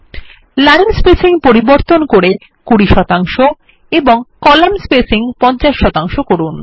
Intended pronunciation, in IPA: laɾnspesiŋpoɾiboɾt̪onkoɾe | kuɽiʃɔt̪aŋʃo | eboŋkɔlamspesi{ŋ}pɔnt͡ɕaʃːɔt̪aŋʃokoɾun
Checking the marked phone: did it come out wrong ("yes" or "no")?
no